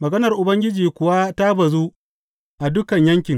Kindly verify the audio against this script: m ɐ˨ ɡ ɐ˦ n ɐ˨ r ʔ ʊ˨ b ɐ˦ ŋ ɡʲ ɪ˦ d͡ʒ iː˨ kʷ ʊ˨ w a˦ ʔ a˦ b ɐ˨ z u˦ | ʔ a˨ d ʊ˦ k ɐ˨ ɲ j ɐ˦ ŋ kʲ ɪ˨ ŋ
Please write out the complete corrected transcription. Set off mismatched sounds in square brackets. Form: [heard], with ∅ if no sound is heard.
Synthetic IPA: m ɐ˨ ɡ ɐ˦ n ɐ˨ r ʔ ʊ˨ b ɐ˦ ŋ ɡʲ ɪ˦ d͡ʒ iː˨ kʷ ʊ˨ w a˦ [t] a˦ b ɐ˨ z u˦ | ʔ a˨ d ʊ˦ k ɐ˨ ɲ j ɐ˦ ŋ kʲ ɪ˨ ŋ